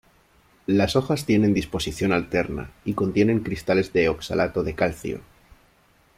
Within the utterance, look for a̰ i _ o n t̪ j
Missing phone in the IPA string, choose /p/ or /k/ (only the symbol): k